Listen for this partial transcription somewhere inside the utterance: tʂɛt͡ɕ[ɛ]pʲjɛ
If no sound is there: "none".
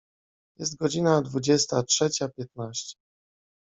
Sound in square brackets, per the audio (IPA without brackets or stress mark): a